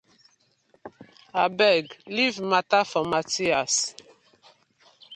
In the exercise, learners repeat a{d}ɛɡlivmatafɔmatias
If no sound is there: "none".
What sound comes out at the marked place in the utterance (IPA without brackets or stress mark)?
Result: b